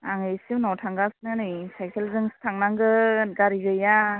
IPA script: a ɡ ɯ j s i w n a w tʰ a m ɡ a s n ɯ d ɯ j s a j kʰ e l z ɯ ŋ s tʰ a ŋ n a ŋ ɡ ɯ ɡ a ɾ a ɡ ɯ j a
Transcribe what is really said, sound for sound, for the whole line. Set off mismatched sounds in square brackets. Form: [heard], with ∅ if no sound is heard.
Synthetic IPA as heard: a [ŋ] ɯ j s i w n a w tʰ a [ŋ] ɡ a s n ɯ [n] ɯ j s a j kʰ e l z ɯ ŋ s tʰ a ŋ n a ŋ ɡ ɯ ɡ a ɾ [i] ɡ ɯ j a